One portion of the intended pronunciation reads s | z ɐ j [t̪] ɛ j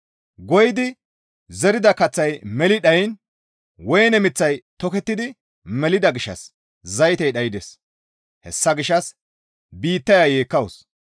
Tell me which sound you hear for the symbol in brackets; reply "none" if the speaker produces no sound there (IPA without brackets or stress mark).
t̪